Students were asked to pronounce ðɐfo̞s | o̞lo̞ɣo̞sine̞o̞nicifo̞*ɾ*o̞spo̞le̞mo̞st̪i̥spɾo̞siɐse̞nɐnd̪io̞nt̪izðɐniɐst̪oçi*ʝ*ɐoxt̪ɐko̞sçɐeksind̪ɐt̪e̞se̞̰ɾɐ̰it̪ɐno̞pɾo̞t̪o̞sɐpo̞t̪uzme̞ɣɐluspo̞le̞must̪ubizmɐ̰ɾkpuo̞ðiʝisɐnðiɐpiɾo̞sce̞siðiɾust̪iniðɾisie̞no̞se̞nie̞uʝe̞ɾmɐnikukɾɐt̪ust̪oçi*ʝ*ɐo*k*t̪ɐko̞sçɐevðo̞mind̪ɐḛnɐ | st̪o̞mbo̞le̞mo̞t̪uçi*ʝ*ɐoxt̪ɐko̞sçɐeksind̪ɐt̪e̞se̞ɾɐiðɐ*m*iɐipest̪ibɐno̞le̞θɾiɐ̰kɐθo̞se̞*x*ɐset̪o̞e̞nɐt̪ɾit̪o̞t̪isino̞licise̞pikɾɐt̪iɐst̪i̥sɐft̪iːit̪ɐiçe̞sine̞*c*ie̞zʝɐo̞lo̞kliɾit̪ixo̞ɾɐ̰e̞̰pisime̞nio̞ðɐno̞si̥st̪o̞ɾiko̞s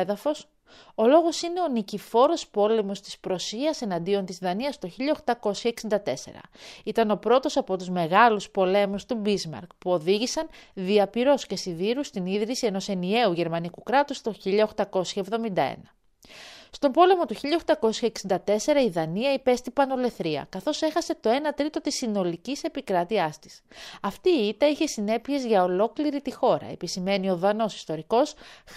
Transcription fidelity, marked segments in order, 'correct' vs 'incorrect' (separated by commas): correct, incorrect, incorrect, incorrect, incorrect, incorrect, correct, incorrect